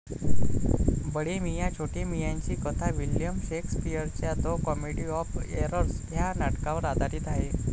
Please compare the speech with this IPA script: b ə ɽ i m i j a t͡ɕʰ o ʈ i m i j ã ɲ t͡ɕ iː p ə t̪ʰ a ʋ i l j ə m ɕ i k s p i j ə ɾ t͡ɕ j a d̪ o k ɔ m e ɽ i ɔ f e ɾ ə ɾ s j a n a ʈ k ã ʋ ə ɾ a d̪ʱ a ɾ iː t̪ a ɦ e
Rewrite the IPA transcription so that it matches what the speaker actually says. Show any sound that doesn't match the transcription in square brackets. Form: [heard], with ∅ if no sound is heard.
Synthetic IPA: b ə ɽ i m i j a t͡ɕʰ o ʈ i m i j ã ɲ t͡ɕ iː [k] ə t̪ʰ a ʋ i l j ə m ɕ [e] k s p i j ə ɾ t͡ɕ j a d̪ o k ɔ m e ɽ i ɔ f e ɾ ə ɾ s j a n a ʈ k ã ʋ ə ɾ a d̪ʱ a ɾ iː t̪ a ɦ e